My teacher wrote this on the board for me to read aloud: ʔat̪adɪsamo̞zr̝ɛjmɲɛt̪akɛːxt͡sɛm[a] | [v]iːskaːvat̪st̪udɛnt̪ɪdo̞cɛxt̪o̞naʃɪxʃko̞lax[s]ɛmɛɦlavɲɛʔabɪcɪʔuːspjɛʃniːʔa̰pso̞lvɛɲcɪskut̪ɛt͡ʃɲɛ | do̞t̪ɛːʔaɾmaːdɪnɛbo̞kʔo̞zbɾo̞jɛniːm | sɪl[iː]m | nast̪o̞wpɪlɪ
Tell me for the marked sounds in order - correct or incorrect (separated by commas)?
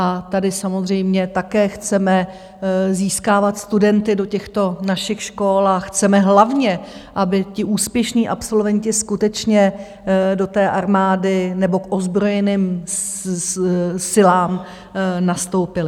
incorrect, incorrect, incorrect, incorrect